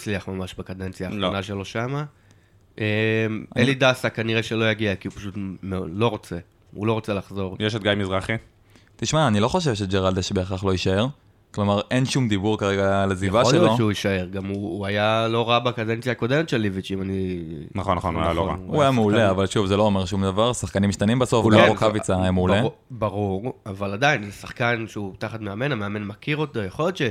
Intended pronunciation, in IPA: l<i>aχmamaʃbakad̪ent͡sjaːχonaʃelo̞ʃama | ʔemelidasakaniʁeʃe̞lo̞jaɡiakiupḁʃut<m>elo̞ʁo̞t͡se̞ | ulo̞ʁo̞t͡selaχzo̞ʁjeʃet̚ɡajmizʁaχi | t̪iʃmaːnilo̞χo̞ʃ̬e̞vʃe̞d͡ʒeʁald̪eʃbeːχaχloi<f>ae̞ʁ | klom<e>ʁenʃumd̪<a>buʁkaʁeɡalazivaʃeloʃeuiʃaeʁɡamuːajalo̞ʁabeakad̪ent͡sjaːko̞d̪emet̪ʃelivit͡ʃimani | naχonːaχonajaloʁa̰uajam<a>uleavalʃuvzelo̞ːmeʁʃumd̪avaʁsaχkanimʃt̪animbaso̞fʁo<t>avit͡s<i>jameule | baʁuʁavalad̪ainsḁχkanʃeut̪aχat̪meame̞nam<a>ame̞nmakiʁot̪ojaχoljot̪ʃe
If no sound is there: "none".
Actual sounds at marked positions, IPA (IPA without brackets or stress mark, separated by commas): i, m, ʃ, a, i, e, k, a, e